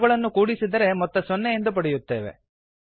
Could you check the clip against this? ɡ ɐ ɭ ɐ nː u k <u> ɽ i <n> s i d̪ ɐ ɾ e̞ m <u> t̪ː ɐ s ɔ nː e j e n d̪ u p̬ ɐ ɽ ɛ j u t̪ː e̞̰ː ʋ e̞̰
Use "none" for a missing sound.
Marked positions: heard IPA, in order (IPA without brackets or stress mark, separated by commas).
uː, none, ɔ